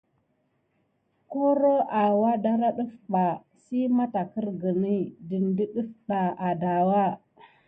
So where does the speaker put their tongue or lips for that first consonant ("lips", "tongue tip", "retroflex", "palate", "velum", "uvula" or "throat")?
velum